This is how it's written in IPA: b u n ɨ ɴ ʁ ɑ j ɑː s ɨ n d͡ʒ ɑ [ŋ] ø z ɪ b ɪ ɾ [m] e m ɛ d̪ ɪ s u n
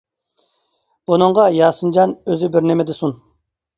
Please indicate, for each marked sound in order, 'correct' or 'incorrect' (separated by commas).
incorrect, incorrect